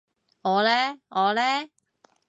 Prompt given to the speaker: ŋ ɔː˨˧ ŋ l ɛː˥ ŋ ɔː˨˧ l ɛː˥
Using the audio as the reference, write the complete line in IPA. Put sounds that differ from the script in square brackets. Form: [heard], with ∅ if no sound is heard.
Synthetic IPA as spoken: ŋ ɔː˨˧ [∅] l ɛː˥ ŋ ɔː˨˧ l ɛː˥